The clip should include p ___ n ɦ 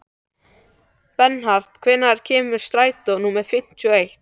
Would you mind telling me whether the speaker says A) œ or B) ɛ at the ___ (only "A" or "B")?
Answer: B